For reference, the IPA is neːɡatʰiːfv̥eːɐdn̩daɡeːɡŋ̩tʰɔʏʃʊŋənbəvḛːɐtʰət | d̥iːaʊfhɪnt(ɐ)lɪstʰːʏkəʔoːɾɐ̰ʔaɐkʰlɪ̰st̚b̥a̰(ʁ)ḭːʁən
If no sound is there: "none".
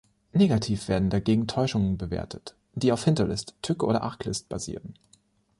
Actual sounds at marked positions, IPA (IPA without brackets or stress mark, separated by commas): ɐ, z